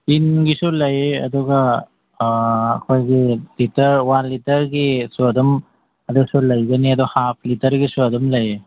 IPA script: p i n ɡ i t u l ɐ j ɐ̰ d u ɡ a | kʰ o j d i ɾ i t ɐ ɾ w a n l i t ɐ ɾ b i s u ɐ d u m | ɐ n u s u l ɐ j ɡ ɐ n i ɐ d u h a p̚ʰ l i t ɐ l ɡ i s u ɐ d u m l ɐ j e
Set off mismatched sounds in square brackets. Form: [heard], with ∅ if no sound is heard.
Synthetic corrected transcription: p i n ɡ i [s] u l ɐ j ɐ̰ d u ɡ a | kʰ o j [ɡ] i [l] i t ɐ ɾ w a n l i t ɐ ɾ [ɡ] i s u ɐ d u m | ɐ [d] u s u l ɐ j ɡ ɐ n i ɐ d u h a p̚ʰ l i t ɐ [ɾ] ɡ i s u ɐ d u m l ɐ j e